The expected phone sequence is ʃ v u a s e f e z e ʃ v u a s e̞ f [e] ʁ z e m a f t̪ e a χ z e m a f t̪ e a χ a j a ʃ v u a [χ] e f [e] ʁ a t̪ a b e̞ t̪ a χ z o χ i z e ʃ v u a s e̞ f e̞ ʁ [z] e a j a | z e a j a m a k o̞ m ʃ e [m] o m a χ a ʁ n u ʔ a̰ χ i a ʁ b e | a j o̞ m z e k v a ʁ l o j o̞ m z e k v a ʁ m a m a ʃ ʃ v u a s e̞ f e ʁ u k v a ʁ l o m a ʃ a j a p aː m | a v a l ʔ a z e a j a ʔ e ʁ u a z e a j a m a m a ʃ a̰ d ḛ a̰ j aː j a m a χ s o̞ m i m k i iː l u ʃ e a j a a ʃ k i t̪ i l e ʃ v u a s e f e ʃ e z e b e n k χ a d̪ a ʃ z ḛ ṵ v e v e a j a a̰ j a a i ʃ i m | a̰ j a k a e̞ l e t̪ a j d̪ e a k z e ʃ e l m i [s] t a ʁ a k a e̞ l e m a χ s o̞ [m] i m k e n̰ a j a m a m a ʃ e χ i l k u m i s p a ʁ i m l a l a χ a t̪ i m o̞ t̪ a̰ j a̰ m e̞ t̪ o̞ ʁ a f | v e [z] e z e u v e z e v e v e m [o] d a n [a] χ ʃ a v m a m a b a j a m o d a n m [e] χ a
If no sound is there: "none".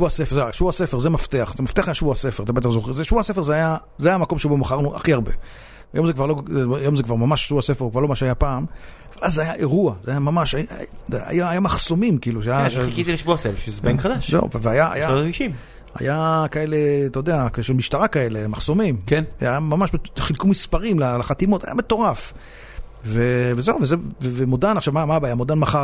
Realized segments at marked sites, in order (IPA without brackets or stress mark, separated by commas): e, s, e, z, b, ʃ, m, v, o, a, a